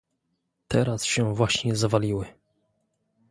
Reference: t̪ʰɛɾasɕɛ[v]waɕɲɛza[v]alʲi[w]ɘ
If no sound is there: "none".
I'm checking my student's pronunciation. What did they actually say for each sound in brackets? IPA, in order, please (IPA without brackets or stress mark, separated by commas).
v, v, w